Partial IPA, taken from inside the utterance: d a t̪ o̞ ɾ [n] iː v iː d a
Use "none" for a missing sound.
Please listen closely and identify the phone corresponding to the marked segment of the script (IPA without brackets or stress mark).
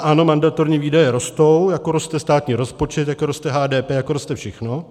ɲ